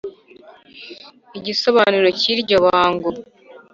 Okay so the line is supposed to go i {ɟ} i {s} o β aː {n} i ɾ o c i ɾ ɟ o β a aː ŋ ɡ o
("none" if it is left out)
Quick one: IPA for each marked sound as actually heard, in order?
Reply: ɟ, s, n

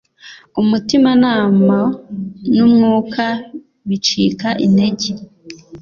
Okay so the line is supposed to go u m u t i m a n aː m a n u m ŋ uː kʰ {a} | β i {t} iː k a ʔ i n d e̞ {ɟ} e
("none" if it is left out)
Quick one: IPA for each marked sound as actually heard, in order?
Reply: a, t͡ʃ, ɟ

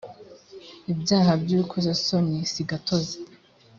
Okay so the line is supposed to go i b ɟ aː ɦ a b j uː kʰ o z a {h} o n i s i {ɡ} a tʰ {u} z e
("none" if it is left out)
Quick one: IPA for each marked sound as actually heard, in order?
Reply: s, ɡ, o

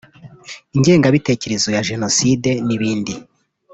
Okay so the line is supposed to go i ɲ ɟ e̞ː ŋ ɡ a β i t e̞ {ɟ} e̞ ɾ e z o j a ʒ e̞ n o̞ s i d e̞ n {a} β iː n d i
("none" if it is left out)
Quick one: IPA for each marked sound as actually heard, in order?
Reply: c, i

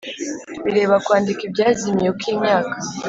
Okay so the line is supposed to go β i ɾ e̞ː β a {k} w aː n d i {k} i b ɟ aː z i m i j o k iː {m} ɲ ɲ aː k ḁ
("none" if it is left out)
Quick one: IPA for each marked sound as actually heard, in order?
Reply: k, k, none

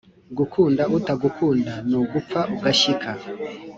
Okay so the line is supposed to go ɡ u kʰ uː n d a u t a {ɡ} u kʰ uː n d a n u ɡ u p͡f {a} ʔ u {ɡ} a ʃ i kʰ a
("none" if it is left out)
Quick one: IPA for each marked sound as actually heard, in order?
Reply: ɡ, a, ɡ

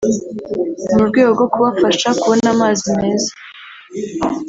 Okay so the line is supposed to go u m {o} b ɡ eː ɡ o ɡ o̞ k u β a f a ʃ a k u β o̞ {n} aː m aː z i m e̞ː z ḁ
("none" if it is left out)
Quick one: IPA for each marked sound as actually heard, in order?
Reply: u, n

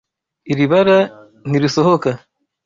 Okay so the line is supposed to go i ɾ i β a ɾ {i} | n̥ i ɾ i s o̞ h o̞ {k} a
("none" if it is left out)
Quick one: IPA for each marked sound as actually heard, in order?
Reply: a, k

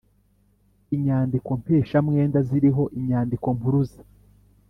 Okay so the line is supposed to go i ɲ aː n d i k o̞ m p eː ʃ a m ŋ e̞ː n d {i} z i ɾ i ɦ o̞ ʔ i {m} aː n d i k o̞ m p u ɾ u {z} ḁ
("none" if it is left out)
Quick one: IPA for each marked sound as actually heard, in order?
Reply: a, ɲ, z

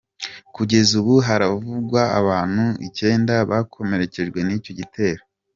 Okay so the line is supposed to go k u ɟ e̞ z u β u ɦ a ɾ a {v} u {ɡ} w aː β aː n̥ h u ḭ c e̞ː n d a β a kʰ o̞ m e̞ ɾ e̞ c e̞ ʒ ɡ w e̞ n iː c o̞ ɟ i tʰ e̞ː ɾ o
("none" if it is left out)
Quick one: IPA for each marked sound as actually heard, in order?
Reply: v, ɡ

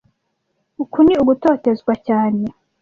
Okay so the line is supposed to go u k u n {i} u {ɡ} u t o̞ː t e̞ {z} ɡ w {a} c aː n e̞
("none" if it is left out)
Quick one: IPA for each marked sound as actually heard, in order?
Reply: i, ɡ, z, a

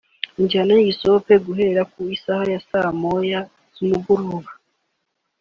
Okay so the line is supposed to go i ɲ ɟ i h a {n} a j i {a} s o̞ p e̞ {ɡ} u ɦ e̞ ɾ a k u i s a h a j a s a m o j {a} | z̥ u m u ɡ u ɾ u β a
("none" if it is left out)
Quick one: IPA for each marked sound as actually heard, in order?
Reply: n, i, ɡ, a

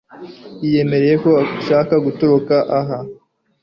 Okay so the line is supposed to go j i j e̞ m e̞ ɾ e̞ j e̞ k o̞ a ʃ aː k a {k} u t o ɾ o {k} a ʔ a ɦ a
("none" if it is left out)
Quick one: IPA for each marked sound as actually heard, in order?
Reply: ɡ, k

